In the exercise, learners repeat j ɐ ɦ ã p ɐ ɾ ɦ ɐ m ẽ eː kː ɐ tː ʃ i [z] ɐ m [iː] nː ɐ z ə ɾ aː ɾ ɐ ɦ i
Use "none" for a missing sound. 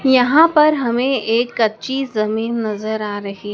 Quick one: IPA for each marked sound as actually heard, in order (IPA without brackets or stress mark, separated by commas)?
z, iː